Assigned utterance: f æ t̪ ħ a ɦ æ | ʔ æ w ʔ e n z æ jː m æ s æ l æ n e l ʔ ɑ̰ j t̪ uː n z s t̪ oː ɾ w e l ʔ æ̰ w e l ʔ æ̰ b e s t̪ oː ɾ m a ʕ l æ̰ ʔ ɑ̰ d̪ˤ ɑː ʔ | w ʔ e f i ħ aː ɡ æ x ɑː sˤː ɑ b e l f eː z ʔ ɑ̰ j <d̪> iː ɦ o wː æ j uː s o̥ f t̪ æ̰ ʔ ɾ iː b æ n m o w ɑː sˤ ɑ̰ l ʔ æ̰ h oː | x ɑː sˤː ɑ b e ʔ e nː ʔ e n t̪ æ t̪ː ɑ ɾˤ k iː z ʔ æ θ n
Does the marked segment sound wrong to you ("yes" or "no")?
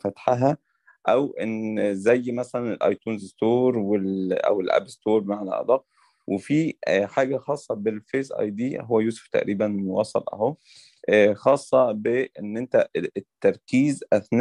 no